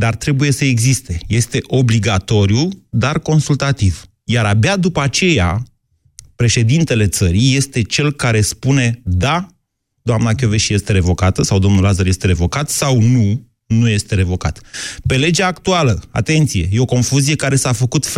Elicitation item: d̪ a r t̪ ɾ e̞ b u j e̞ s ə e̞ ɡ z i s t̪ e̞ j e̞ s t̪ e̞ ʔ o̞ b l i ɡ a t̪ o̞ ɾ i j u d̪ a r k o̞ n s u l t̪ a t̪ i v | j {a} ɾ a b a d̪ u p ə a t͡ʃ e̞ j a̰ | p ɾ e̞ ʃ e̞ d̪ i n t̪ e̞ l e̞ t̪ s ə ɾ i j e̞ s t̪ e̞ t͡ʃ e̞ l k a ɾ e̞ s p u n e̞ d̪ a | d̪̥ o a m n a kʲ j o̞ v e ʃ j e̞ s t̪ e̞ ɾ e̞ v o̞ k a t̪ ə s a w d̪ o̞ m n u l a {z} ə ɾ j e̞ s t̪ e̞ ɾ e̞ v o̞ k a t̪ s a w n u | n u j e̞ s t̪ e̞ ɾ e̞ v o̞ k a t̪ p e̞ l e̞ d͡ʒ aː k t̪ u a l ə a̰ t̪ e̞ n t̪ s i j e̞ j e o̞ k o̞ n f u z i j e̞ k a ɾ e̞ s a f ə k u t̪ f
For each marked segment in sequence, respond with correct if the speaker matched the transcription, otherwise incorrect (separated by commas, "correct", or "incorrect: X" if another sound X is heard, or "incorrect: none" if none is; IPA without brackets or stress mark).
correct, correct